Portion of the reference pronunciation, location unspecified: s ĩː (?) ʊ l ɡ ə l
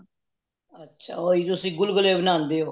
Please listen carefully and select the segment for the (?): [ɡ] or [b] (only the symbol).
ɡ